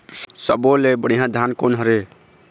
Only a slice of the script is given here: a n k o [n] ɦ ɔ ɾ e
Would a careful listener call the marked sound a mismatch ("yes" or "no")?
no